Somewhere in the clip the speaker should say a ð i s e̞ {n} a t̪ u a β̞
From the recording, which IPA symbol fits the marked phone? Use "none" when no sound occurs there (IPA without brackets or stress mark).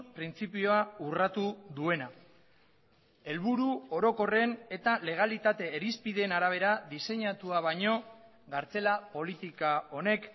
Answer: ɲ